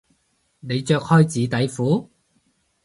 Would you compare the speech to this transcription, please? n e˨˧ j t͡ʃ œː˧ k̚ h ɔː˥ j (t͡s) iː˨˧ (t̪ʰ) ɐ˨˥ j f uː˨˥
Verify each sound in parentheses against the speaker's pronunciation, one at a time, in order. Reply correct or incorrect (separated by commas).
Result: correct, incorrect